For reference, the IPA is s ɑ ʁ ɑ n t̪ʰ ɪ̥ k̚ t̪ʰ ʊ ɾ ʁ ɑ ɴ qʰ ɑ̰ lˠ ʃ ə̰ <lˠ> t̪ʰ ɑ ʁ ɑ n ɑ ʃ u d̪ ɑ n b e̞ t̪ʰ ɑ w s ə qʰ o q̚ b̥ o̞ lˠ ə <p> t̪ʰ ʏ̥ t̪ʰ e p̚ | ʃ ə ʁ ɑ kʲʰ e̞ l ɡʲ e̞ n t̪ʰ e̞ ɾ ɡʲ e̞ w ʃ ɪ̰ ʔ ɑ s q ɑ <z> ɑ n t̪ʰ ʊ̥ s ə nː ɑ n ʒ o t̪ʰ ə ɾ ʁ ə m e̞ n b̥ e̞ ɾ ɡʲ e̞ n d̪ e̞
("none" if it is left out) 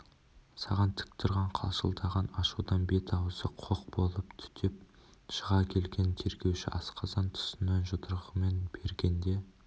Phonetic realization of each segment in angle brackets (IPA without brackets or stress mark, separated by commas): lˠ, p, z